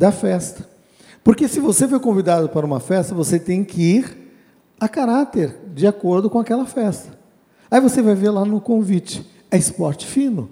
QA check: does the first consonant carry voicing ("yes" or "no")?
yes